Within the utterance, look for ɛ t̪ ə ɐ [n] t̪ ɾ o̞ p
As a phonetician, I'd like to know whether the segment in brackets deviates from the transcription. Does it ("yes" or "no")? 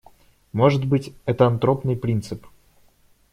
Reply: no